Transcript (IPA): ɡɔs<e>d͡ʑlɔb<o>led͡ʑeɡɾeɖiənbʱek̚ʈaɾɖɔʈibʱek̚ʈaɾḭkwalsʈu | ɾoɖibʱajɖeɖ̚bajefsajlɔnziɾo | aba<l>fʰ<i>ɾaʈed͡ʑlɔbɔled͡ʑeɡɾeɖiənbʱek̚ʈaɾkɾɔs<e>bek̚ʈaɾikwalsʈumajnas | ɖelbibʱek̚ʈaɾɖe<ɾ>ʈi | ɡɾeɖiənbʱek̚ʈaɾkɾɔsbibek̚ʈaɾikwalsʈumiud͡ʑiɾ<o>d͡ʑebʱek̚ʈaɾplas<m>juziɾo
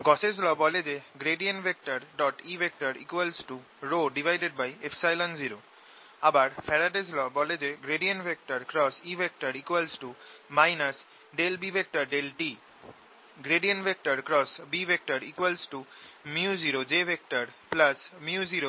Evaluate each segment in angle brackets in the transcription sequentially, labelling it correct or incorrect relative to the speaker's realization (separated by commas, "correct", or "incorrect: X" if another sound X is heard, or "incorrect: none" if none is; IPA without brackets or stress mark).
correct, incorrect: ɔ, incorrect: ɾ, incorrect: ɛ, incorrect: i, incorrect: l, correct, correct